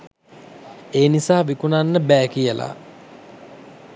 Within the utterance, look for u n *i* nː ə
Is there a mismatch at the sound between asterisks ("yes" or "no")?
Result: yes